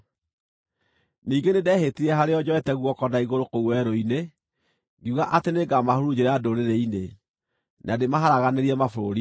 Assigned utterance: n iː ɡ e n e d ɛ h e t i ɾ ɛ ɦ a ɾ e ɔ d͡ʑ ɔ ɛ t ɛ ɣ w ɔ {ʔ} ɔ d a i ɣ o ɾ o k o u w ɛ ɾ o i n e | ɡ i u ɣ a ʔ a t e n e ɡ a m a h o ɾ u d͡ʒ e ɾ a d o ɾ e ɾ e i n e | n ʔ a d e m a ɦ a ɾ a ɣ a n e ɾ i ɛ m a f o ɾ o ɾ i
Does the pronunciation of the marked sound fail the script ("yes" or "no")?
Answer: yes